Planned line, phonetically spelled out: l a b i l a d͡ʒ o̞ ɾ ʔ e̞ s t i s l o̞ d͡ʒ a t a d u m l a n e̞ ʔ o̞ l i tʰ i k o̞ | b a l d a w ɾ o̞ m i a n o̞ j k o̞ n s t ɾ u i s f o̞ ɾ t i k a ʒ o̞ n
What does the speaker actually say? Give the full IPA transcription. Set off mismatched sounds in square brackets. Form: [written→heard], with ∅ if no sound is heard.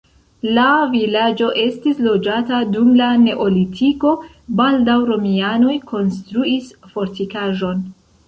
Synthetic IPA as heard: l a [b→v] i l a d͡ʒ o̞ [ɾ→∅] ʔ e̞ s t i s l o̞ d͡ʒ a t a d u m l a n e̞ ʔ o̞ l i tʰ i k o̞ | b a l d a w ɾ o̞ m i a n o̞ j k o̞ n s t ɾ u i s f o̞ ɾ t i k a ʒ o̞ n